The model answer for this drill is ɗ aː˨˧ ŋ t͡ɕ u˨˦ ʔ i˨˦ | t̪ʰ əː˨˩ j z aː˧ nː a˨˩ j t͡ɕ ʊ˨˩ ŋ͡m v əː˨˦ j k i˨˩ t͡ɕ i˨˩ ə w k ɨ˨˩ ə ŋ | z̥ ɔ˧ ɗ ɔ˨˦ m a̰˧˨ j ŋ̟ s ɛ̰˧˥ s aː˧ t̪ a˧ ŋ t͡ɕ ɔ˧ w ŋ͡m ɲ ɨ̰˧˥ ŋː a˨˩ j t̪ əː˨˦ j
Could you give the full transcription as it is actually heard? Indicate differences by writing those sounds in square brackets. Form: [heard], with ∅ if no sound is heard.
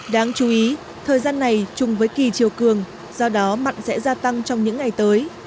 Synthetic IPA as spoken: ɗ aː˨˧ ŋ t͡ɕ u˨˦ ʔ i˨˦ | t̪ʰ əː˨˩ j z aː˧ nː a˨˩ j t͡ɕ ʊ˨˩ ŋ͡m v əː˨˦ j k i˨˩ t͡ɕ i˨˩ ə w k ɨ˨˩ ə ŋ | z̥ ɔ˧ ɗ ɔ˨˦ m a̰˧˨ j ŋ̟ s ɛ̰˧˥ [z] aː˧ t̪ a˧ ŋ t͡ɕ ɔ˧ w ŋ͡m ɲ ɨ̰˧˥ ŋː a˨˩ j t̪ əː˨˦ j

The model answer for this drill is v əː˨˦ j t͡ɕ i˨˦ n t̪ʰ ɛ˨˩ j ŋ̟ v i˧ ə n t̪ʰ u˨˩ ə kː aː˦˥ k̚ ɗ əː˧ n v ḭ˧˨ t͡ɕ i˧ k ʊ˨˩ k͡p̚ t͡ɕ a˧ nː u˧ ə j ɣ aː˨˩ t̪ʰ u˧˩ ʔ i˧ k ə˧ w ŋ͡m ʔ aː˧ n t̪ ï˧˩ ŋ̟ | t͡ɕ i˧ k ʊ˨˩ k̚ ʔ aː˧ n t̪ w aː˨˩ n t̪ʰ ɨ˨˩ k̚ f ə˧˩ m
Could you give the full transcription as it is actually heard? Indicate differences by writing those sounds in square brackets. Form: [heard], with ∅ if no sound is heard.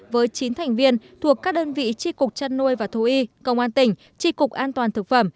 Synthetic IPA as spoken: v əː˨˦ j t͡ɕ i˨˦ n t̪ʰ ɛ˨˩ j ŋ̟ v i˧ ə n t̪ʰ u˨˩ ə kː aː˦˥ k̚ ɗ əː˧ n v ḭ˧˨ t͡ɕ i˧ k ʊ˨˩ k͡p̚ t͡ɕ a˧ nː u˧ ə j [v] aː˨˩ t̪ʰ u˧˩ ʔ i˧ k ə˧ w ŋ͡m ʔ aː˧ n t̪ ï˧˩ ŋ̟ | t͡ɕ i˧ k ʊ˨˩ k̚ ʔ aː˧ n t̪ w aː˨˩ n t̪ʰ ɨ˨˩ k̚ f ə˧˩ m

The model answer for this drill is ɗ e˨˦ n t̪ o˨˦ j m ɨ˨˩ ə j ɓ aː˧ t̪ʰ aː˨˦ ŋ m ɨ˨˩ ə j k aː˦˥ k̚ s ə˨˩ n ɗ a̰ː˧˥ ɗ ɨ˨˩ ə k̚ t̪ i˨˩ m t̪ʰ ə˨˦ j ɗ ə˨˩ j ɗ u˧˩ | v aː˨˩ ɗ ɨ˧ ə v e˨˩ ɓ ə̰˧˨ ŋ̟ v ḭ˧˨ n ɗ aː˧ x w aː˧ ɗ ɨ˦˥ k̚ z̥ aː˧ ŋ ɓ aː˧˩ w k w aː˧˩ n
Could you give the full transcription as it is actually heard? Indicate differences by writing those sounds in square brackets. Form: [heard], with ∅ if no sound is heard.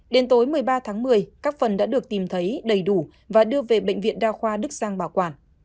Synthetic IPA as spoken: ɗ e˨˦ n t̪ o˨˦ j m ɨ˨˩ ə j ɓ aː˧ t̪ʰ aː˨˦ ŋ m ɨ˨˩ ə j k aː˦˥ k̚ [f] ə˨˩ n ɗ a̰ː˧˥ ɗ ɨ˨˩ ə k̚ t̪ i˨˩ m t̪ʰ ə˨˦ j ɗ ə˨˩ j ɗ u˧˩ | v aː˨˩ ɗ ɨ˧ ə v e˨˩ ɓ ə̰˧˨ ŋ̟ v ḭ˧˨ n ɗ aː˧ x w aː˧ ɗ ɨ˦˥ k̚ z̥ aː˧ ŋ ɓ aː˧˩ w k w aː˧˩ n

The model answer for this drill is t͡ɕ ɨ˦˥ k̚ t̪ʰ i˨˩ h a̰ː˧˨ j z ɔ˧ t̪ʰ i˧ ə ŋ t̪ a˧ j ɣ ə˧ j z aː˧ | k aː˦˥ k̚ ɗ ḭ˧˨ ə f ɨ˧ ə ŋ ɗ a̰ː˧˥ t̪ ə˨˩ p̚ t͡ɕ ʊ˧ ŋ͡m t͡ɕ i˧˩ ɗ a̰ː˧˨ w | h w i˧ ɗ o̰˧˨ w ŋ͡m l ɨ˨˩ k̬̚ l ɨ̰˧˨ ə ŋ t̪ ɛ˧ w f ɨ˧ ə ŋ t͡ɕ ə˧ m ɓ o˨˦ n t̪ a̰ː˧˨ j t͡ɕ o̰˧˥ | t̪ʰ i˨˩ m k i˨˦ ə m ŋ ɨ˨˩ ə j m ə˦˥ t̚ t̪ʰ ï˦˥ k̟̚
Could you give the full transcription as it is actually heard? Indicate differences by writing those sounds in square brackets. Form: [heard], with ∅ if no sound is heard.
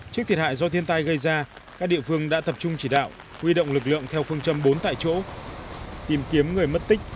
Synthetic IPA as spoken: t͡ɕ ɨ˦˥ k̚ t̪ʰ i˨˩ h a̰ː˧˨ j z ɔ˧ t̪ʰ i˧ ə [n] t̪ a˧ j ɣ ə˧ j z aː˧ | k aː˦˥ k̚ ɗ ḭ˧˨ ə f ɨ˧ ə ŋ ɗ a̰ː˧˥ t̪ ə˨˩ p̚ t͡ɕ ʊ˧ ŋ͡m t͡ɕ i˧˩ ɗ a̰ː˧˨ w | h w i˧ ɗ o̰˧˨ w ŋ͡m l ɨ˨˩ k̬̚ l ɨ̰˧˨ ə ŋ [t̪ʰ] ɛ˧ w f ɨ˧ ə ŋ t͡ɕ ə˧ m ɓ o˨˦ n t̪ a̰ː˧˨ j t͡ɕ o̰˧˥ | [t̪] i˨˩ m k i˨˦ ə m ŋ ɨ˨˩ ə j m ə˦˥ t̚ [t̪] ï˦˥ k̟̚

